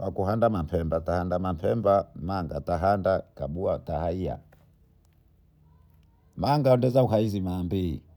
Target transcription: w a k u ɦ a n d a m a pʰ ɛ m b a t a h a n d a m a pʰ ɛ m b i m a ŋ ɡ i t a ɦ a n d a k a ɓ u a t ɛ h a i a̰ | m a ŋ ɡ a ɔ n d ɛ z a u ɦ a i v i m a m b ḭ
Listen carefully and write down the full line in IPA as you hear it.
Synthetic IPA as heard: w a k u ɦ a n d a m a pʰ ɛ m b a t a h a n d a m a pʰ ɛ m b a m a ŋ ɡ a t a ɦ a n d a k a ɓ u a t a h a i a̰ | m a ŋ ɡ a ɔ n d ɛ z a u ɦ a i z i m a m b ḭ